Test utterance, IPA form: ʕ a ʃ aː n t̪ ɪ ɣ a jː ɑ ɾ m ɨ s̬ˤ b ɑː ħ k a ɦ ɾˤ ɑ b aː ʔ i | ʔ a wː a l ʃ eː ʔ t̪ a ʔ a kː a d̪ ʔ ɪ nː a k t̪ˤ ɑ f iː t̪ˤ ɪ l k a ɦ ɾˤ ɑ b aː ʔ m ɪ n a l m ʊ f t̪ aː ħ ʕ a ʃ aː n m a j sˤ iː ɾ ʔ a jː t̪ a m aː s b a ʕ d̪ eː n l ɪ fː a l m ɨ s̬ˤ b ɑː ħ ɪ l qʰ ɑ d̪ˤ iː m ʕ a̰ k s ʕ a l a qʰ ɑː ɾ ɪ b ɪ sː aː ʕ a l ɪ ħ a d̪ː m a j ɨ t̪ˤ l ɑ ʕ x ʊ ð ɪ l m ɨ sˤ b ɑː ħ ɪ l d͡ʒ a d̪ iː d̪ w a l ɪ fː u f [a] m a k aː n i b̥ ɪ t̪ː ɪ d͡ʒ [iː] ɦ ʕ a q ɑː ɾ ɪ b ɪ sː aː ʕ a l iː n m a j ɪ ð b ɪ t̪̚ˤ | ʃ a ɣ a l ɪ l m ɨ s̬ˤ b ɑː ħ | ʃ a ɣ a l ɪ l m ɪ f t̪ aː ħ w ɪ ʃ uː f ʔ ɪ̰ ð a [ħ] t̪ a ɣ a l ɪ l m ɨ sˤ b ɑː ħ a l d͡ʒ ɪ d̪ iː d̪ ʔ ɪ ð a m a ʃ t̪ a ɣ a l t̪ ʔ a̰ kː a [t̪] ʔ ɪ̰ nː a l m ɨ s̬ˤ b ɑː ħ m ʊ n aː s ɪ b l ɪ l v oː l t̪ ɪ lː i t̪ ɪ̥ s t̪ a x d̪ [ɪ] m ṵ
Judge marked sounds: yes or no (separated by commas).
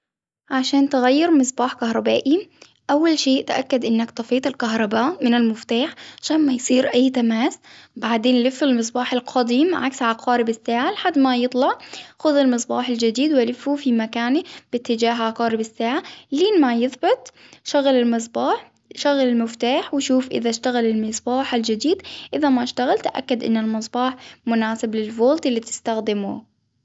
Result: no, no, no, no, yes